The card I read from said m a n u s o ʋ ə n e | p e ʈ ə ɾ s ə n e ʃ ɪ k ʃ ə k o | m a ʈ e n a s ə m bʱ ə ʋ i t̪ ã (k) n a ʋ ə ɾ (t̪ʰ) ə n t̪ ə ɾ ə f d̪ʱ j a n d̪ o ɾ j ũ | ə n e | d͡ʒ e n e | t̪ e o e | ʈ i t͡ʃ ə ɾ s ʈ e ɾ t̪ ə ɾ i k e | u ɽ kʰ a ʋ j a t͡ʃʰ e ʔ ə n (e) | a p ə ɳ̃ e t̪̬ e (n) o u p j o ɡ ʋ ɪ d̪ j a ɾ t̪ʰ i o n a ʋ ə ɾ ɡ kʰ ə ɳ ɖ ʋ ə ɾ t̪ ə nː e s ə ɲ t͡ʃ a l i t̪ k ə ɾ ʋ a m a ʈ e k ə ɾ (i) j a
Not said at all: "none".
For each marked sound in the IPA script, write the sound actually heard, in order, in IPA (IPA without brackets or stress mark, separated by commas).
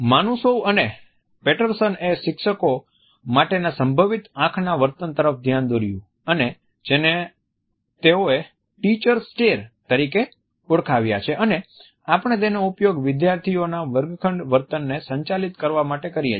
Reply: kʰ, t̪, e, n, i